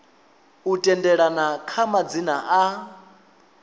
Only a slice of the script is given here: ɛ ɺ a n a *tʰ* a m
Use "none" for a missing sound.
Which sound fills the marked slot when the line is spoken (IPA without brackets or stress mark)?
kʰ